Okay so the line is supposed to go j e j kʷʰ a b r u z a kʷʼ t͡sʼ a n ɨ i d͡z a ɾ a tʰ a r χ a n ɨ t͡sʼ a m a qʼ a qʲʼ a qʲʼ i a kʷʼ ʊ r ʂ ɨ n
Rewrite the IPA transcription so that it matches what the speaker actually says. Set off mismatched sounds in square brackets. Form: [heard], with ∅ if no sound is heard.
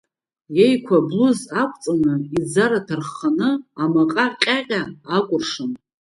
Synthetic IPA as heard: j e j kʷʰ a b [l] u z a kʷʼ t͡sʼ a n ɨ i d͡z a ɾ a tʰ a r χ a n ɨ [∅] a m a qʼ a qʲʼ a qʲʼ [a] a kʷʼ ʊ r ʂ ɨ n